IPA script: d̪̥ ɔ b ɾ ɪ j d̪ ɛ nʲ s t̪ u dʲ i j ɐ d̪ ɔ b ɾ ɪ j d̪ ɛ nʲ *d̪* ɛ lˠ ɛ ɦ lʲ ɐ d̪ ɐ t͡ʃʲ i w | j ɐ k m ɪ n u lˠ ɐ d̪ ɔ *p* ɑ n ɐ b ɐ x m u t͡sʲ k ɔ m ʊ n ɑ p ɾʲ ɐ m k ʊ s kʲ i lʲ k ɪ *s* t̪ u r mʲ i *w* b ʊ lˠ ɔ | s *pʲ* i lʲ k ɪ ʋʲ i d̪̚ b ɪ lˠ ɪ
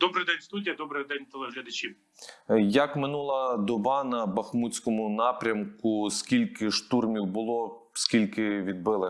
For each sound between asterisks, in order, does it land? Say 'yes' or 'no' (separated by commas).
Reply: no, no, no, yes, no